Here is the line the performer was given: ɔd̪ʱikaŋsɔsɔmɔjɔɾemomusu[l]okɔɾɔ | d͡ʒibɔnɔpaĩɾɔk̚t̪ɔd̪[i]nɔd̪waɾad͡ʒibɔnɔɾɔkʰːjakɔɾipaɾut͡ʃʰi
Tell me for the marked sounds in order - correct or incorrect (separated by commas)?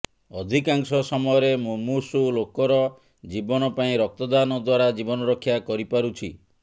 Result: correct, incorrect